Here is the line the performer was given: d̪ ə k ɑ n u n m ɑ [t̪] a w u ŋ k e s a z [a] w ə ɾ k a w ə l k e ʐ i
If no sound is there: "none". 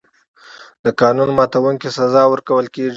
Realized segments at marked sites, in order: t̪, ɑ

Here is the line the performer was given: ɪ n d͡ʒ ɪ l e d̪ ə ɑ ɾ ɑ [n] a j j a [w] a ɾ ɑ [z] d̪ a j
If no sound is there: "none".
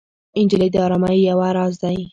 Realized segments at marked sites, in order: m, w, z

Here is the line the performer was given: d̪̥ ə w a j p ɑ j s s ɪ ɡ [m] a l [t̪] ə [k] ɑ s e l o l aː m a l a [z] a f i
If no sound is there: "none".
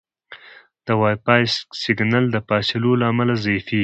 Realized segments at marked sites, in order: n, d̪, p, z

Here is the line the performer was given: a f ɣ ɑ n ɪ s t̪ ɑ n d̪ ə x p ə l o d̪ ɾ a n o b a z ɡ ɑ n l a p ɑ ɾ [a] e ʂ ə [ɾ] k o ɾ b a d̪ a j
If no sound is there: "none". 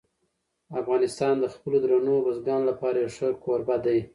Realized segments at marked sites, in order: a, ɾ

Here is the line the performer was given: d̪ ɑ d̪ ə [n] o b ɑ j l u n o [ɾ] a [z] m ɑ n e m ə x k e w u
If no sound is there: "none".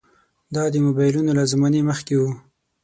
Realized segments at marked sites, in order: m, l, z

